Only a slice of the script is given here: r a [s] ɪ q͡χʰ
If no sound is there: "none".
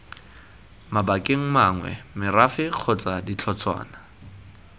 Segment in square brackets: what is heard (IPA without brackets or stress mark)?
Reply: f